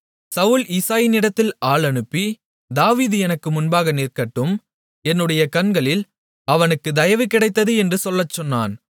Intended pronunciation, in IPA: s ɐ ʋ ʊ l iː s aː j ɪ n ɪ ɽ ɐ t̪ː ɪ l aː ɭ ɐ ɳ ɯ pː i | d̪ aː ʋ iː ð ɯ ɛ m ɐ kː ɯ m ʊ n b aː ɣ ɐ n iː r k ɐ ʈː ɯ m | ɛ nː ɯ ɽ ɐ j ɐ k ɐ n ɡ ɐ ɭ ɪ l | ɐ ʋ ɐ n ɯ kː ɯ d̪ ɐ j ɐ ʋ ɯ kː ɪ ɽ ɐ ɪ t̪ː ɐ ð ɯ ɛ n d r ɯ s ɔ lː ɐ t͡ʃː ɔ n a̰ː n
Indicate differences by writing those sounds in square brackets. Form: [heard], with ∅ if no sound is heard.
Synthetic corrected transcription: s ɐ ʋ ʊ l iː s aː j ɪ n ɪ ɽ ɐ t̪ː ɪ l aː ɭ ɐ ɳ ɯ pː i | d̪ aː ʋ iː ð ɯ ɛ [n] ɐ kː ɯ m ʊ n b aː ɣ ɐ n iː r k ɐ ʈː ɯ m | ɛ nː ɯ ɽ ɐ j ɐ k ɐ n ɡ ɐ ɭ ɪ l | ɐ ʋ ɐ n ɯ kː ɯ d̪ ɐ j ɐ ʋ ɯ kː ɪ ɽ ɐ ɪ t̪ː ɐ ð ɯ ɛ n d r ɯ s ɔ lː ɐ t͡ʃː ɔ [nː] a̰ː n